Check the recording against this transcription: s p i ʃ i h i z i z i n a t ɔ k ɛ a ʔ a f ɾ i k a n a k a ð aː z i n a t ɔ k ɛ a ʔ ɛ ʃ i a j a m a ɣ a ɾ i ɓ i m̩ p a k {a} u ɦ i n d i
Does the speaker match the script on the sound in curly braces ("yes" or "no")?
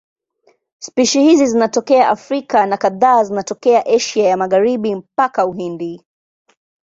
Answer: yes